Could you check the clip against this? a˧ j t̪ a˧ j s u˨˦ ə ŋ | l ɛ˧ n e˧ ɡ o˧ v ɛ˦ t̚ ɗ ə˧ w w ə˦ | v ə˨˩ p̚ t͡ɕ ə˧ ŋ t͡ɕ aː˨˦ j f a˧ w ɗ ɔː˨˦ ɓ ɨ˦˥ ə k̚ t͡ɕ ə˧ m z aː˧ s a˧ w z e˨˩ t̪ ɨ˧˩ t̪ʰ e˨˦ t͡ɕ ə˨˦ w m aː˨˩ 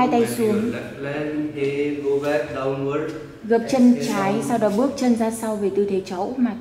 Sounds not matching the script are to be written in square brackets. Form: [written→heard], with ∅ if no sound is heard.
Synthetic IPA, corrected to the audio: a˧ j t̪ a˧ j s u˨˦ ə ŋ | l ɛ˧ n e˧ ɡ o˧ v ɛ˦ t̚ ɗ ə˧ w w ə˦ | [v→ɣ] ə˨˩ p̚ t͡ɕ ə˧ [ŋ→n] t͡ɕ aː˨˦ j [f→s] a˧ w ɗ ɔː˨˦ ɓ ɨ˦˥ ə k̚ t͡ɕ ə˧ [m→n] z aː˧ s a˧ w [z→v] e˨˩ t̪ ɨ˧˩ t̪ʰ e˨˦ t͡ɕ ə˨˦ w m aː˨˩